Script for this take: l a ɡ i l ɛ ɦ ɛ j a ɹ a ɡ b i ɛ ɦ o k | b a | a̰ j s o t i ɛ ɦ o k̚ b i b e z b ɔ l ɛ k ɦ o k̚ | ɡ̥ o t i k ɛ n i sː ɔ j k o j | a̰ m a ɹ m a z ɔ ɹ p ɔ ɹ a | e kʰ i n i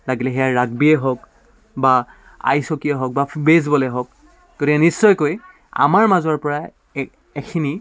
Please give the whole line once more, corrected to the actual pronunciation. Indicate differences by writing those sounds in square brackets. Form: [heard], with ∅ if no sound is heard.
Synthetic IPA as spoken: l a ɡ i l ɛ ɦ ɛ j a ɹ a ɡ b i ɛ ɦ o k | b a | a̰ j s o [k] i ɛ ɦ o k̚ b [a] b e z b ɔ l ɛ [∅] ɦ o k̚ | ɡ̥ o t i k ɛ n i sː ɔ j k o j | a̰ m a ɹ m a z ɔ ɹ p ɔ ɹ a | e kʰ i n i

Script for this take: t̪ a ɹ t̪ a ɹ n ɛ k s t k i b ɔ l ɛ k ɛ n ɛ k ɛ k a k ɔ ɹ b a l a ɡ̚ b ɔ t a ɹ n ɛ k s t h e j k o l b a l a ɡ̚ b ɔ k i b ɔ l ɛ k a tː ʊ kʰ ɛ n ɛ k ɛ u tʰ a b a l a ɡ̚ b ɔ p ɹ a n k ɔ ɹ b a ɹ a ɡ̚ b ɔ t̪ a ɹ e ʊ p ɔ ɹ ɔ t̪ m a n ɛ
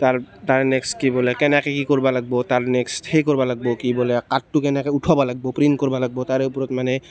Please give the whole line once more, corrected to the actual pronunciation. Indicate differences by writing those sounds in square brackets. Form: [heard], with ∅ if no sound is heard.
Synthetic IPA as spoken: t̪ a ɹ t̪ a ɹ n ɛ k s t k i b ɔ l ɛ k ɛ n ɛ k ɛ k [i] k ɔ ɹ b a l a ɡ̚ b ɔ t a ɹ n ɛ k s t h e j k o [ɹ] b a l a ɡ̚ b ɔ k i b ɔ l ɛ k a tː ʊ [k] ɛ n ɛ k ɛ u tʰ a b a l a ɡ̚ b ɔ p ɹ [i] n k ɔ ɹ b a [l] a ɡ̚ b ɔ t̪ a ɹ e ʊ p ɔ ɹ ɔ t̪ m a n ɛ

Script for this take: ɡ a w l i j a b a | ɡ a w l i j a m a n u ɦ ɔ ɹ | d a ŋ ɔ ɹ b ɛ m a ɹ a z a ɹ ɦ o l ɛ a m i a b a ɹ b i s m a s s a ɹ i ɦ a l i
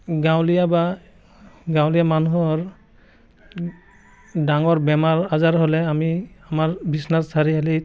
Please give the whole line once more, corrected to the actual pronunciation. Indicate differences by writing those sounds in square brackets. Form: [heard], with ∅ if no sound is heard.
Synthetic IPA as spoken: ɡ a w l i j a b a | ɡ a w l i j a m a n u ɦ ɔ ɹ | d a ŋ ɔ ɹ b ɛ m a ɹ a z a ɹ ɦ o l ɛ a m i a [m] a ɹ b i s [n] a s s a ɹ i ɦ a l i

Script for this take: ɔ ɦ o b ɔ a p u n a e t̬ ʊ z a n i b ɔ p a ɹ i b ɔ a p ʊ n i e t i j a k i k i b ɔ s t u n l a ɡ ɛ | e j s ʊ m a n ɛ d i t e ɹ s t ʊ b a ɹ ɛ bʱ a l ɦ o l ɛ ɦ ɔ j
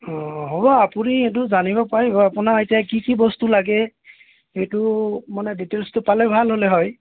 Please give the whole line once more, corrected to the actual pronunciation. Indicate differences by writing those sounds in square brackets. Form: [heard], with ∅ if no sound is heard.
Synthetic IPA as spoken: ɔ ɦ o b ɔ a p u n [i] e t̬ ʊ z a n i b ɔ p a ɹ i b ɔ a p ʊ n [a] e t i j a k i k i b ɔ s t u [∅] l a ɡ ɛ | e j [t] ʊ m a n ɛ d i t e [l] s t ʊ [p] a [l] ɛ bʱ a l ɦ o l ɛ ɦ ɔ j

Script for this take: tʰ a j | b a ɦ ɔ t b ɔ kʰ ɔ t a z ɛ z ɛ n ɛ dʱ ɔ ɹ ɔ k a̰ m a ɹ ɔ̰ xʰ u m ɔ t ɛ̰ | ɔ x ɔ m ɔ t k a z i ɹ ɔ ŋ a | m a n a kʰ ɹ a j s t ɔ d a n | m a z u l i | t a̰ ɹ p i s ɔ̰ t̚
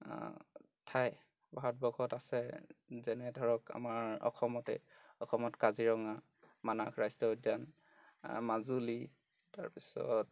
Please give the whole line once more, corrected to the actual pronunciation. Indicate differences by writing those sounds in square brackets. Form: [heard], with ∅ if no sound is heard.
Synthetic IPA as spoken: tʰ a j | b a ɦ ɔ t b ɔ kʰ ɔ t a [s] ɛ z ɛ n ɛ dʱ ɔ ɹ ɔ k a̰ m a ɹ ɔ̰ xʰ [ɔ] m ɔ t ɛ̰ | ɔ x ɔ m ɔ t k a z i ɹ ɔ ŋ a | m a n a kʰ ɹ a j s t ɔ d a n | m a z u l i | t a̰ ɹ p i s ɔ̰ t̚

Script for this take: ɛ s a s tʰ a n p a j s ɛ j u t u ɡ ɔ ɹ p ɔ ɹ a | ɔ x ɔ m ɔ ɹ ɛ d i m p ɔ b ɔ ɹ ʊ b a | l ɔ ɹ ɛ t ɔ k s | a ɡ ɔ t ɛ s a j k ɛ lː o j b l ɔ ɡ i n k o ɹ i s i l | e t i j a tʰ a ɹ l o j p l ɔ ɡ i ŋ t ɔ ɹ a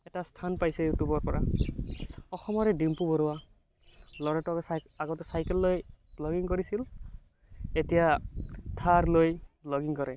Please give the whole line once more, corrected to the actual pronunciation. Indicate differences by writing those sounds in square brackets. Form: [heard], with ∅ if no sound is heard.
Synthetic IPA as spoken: ɛ [t] a s tʰ a n p a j s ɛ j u t u [b] ɔ ɹ p ɔ ɹ a | ɔ x ɔ m ɔ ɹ ɛ d i m p [u] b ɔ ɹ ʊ [w] a | l ɔ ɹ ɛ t ɔ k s | a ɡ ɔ t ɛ s a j k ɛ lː o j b l ɔ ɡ i [ŋ] k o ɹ i s i l | e t i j a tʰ a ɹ l o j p l ɔ ɡ i ŋ [k] ɔ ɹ [ɛ]

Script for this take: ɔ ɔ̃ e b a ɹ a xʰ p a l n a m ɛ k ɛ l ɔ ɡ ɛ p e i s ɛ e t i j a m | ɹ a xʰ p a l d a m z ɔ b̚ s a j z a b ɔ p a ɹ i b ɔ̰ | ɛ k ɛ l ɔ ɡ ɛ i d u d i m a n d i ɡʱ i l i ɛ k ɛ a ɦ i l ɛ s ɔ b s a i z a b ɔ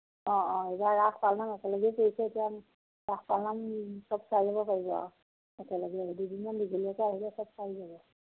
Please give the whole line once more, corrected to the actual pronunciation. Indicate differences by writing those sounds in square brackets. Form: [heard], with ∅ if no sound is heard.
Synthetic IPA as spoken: ɔ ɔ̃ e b a ɹ a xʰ p a l n a m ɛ k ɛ l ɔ ɡ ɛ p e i s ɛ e t i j a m | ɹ a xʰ p a l [n] a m [s] ɔ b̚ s a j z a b ɔ p a ɹ i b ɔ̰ | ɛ k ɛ l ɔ ɡ ɛ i d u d i m a n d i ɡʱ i l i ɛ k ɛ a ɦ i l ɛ s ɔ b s a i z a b ɔ

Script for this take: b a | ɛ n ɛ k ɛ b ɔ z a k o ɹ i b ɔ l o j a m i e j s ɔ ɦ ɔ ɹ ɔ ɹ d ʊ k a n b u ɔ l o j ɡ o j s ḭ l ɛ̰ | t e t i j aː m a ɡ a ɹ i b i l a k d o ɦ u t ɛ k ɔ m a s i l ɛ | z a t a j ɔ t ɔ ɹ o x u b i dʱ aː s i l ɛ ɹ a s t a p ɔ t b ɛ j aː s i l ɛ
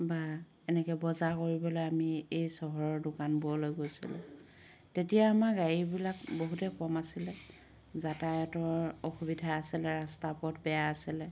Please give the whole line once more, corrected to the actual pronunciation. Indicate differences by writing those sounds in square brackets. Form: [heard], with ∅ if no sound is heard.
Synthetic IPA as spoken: b a | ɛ n ɛ k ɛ b ɔ z a k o ɹ i b ɔ l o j a m i e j s ɔ ɦ ɔ ɹ ɔ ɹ d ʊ k a n b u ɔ l o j ɡ o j s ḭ l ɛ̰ | t e t i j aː m a ɡ a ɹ i b i l a k [b] o ɦ u t ɛ k ɔ m a s i l ɛ | z a t a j ɔ t ɔ ɹ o x u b i dʱ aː s i l ɛ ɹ a s t a p ɔ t b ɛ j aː s i l ɛ

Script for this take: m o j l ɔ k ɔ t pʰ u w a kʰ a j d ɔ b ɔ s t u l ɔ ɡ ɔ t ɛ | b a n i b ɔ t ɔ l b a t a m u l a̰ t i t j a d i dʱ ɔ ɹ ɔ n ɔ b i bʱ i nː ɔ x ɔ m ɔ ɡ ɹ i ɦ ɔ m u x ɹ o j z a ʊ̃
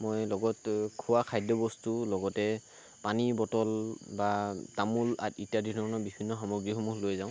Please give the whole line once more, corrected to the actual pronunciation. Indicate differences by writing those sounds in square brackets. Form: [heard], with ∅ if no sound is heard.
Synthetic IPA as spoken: m o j l ɔ [ɡ] ɔ t [kʰ] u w a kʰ a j d ɔ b ɔ s t u l ɔ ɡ ɔ t ɛ | [p] a n i b ɔ t ɔ l b a t a m u l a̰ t i t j a d i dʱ ɔ ɹ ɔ n ɔ b i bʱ i nː ɔ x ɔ m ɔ ɡ ɹ i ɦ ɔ m u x [l] o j z a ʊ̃

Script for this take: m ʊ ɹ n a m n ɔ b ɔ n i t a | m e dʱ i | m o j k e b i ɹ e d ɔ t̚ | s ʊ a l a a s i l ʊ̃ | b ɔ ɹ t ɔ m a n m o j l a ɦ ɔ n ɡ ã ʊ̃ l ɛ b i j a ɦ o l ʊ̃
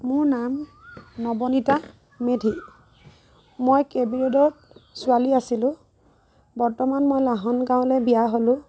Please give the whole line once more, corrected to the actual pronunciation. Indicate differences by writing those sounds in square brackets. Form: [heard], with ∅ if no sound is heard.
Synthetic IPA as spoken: m ʊ ɹ n a m n ɔ b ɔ n i t a | m e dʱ i | m o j k e b i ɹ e d ɔ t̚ | s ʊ a l [i] a s i l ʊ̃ | b ɔ ɹ t ɔ m a n m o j l a ɦ ɔ n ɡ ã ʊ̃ l ɛ b i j a ɦ o l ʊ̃

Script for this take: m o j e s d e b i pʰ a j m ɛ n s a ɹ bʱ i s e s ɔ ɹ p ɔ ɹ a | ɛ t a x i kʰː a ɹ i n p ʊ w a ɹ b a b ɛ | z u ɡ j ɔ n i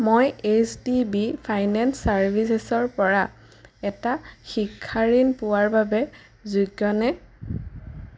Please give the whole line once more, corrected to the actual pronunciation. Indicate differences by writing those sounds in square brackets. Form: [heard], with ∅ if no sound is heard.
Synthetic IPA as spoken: m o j e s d [i] b i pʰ a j [n] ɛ n s a ɹ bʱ i s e s ɔ ɹ p ɔ ɹ a | ɛ t a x i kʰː a ɹ i n p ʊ w a ɹ b a b ɛ | z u ɡ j ɔ n [ɛ]

